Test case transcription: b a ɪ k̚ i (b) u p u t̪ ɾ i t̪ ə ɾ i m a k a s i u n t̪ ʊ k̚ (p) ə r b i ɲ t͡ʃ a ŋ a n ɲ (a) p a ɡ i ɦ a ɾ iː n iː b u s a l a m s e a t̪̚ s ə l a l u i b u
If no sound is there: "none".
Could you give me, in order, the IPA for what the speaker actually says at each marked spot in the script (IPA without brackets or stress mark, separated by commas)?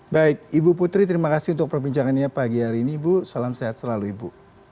b, p, a